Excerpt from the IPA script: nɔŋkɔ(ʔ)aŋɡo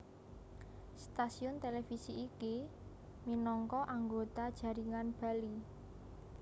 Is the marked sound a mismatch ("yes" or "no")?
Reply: no